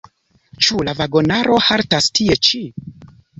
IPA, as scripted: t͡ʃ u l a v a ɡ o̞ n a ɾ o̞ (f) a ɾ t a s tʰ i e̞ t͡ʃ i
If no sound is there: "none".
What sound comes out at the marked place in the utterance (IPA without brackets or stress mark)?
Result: h